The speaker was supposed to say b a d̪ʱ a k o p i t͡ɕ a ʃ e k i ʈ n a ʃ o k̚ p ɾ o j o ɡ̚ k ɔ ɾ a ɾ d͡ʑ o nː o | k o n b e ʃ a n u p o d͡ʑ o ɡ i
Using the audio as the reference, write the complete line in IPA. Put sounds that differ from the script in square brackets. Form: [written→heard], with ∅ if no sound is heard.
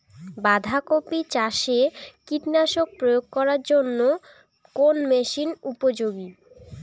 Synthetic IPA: b a d̪ʱ a k o p i t͡ɕ a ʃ e k i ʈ n a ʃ o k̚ p ɾ o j o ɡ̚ k ɔ ɾ a ɾ d͡ʑ o nː o | k o n [b→m] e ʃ [a→i] n u p o d͡ʑ o ɡ i